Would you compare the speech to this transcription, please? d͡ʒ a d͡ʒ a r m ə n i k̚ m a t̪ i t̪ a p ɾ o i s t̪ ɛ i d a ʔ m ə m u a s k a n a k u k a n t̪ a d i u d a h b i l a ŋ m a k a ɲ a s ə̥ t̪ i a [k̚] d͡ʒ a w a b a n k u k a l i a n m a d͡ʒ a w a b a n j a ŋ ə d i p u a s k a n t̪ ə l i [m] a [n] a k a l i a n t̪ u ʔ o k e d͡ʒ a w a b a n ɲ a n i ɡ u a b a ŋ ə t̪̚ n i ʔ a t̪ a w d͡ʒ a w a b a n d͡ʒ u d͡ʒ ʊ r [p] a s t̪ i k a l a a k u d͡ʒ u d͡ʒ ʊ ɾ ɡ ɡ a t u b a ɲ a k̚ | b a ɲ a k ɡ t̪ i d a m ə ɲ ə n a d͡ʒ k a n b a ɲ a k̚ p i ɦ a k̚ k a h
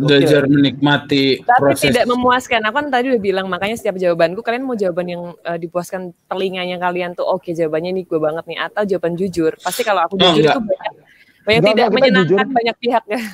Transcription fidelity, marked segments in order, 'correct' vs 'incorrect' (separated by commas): incorrect, incorrect, incorrect, correct